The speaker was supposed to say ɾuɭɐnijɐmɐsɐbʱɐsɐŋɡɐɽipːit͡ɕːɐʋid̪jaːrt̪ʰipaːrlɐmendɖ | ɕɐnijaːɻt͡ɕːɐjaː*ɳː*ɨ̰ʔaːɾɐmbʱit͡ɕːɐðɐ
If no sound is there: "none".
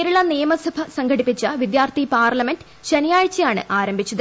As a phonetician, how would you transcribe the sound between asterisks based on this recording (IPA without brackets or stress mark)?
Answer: ɳ